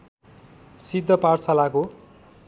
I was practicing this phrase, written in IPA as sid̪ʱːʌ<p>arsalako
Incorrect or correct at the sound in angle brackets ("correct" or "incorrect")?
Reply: correct